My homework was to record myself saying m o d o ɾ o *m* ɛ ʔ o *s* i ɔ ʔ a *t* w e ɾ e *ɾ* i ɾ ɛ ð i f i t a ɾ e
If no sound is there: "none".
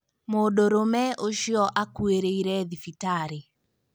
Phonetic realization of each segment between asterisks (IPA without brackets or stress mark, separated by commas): m, ʃ, k, none